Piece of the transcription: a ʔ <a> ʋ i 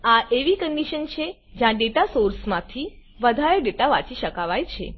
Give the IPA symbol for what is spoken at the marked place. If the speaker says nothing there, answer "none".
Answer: e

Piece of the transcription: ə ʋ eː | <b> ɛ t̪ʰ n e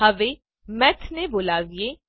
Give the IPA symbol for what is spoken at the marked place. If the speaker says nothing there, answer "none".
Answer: m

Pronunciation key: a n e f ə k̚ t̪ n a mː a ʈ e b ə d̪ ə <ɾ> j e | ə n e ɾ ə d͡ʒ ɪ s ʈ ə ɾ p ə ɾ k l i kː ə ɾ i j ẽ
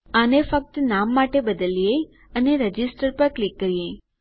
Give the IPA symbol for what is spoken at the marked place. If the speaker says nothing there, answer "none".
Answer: l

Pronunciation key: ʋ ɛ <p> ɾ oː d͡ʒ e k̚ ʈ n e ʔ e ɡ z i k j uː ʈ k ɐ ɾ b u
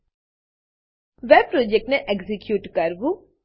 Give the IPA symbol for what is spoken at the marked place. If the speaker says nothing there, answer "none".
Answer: p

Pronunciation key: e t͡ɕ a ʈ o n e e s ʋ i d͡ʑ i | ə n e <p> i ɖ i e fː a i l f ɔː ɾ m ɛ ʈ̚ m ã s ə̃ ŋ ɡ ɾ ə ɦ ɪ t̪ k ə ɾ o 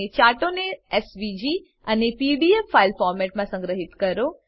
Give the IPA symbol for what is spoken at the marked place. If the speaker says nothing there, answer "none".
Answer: p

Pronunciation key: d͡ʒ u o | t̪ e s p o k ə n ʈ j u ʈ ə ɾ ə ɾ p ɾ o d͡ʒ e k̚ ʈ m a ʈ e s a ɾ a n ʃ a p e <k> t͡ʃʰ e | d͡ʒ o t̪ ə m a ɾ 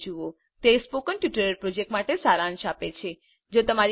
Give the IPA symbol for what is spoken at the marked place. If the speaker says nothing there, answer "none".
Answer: none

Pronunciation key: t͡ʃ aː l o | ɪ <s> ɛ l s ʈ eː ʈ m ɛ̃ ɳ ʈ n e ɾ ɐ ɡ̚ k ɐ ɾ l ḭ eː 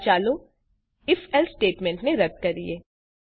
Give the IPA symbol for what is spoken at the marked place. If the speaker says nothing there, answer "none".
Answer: f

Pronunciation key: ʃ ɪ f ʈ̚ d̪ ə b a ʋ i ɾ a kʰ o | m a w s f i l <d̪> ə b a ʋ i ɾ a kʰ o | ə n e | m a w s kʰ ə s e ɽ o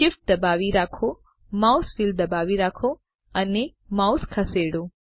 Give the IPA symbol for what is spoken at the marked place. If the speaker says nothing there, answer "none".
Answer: d̪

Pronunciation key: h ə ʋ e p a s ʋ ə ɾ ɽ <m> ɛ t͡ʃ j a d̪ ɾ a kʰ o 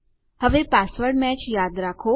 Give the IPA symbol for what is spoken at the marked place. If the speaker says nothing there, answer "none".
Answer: m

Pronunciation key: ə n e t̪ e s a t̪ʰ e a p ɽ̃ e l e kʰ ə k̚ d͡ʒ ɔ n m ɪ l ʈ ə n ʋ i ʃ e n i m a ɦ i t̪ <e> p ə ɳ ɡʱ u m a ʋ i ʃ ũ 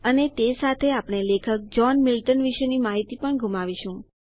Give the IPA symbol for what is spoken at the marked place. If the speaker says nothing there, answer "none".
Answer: i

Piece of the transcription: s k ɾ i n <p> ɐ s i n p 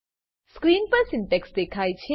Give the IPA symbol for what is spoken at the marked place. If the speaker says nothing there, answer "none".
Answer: p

